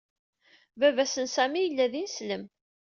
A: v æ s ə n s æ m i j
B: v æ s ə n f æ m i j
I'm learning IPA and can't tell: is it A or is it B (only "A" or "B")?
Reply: A